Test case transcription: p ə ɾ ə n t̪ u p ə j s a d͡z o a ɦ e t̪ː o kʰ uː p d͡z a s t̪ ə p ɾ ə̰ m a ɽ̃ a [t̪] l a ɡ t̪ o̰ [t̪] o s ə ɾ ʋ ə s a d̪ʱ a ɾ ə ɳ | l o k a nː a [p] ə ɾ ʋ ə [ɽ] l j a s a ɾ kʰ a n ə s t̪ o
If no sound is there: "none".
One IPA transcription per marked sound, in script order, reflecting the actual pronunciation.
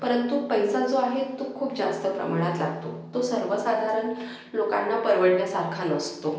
t̪, t̪, p, ɽ

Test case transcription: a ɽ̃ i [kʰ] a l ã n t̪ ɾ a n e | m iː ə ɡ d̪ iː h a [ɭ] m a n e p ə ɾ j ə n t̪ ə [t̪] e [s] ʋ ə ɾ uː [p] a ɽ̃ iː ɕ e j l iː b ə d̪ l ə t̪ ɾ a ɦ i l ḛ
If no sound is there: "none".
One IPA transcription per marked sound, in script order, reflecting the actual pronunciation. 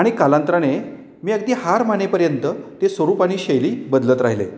k, ɾ, t̪, s, p

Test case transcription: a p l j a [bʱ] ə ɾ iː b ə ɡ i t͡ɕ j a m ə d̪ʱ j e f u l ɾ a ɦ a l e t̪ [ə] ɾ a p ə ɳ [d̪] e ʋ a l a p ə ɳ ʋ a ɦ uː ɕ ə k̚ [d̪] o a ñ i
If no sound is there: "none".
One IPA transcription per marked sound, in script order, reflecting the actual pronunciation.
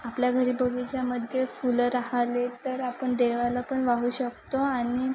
ɡʱ, ə, d̪, t̪

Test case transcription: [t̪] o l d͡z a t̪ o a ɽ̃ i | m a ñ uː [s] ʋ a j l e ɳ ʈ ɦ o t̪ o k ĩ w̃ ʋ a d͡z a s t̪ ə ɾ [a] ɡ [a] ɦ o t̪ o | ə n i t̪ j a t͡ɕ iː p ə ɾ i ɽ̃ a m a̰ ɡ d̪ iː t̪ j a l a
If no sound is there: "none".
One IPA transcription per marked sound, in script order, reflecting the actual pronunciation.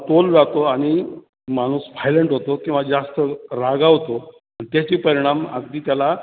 t̪, s, a, a

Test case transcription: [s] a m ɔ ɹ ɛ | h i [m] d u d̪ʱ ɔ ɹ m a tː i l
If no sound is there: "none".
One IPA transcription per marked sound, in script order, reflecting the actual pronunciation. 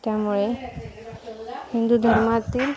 t, n

